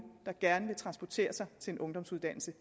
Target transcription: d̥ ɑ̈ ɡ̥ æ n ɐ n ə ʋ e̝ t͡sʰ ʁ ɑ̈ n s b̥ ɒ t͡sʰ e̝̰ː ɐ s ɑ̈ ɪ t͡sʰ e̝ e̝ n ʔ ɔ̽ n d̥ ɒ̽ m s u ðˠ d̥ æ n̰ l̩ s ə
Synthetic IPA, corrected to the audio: d̥ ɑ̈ ɡ̥ æ ɐ n ə ʋ e̝ t͡sʰ ʁ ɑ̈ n s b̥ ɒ t͡sʰ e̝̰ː ɐ s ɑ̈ ɪ t͡sʰ e̝ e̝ n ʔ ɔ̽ ŋ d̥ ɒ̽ m s u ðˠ d̥ æ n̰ l̩ s ə